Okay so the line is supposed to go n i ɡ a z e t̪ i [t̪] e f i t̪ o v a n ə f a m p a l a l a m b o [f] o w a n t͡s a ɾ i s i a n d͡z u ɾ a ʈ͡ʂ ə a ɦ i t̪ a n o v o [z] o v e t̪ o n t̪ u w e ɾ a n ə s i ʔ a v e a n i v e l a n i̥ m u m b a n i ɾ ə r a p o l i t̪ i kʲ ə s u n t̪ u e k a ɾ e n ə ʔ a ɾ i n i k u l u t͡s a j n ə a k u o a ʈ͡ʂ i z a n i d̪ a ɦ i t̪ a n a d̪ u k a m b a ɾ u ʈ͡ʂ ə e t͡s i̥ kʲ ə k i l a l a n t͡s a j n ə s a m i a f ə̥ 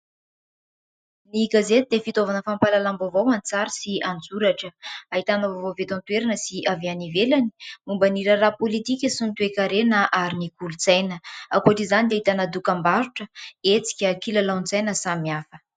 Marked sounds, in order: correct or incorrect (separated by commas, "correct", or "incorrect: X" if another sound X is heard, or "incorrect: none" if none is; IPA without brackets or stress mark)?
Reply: incorrect: d̪, incorrect: v, incorrect: v